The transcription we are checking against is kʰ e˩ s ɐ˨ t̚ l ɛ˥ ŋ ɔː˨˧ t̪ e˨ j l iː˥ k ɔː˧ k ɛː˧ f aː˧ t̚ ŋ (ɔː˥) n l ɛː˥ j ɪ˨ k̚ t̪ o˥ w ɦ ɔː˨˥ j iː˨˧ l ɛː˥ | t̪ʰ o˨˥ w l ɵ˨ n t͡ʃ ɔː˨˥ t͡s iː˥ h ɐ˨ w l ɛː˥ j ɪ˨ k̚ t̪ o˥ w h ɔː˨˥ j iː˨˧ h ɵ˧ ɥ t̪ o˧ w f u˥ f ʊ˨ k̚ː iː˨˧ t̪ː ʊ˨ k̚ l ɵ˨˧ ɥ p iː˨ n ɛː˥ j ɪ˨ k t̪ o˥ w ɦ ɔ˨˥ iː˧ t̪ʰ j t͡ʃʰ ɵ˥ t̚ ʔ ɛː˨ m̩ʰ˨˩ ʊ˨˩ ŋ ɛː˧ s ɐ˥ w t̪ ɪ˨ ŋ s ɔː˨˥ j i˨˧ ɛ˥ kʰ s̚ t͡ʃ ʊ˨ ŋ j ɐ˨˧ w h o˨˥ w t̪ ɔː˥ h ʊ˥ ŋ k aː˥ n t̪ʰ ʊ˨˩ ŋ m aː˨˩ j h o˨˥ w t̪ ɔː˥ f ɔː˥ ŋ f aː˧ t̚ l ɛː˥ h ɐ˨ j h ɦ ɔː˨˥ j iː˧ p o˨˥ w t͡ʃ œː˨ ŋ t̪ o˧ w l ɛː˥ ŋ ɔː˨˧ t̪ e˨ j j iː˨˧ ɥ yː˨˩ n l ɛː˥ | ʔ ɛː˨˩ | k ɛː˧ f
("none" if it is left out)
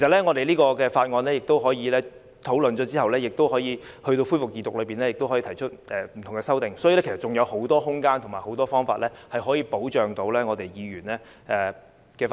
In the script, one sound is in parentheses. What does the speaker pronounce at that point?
ɔː˧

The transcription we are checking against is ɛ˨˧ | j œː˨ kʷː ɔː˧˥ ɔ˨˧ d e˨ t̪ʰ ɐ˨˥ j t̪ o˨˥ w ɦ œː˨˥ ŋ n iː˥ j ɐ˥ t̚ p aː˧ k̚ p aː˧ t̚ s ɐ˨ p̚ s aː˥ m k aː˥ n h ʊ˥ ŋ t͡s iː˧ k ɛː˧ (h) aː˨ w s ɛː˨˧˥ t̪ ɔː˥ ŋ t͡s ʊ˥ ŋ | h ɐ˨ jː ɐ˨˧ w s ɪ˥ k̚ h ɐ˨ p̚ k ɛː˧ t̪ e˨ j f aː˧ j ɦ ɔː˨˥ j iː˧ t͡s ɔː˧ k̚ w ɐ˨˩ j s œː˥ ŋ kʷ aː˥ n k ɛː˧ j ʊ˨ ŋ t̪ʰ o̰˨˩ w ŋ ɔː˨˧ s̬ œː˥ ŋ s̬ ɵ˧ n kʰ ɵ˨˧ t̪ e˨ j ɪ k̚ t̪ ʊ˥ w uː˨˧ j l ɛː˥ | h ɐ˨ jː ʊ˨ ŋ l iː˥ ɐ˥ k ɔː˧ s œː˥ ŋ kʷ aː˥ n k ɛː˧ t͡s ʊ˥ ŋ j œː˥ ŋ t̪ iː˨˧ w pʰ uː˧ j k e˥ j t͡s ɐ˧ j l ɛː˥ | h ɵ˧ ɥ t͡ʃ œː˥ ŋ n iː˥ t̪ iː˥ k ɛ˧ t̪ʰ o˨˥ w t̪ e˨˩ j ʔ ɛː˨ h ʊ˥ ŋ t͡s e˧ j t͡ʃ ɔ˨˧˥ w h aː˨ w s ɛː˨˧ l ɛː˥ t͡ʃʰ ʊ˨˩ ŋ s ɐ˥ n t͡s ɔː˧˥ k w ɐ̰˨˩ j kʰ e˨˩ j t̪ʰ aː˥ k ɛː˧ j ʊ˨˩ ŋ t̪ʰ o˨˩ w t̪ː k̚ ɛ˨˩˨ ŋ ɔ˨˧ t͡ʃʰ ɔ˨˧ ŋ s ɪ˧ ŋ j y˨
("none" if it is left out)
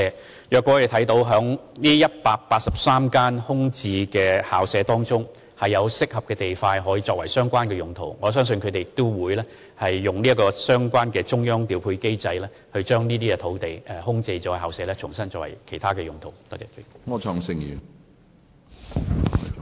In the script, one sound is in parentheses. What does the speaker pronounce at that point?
h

